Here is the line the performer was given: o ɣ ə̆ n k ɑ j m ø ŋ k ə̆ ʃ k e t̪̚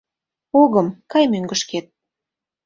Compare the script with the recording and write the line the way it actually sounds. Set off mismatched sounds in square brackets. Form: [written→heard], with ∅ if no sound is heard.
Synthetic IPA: o ɣ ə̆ [n→m] k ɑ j m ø ŋ [k→ɡ] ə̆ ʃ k e t̪̚